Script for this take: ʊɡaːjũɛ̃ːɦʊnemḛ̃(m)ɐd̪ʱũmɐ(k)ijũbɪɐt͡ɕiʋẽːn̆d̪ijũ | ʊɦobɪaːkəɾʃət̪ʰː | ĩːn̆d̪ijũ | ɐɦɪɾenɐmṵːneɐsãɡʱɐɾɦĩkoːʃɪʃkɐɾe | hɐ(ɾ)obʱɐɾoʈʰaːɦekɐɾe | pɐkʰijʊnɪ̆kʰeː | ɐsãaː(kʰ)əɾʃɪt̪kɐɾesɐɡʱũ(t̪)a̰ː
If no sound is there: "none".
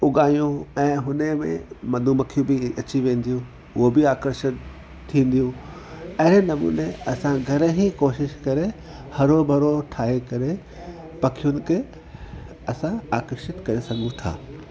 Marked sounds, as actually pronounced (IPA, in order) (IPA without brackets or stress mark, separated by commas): m, kʰ, ɾ, k, t̪ʰ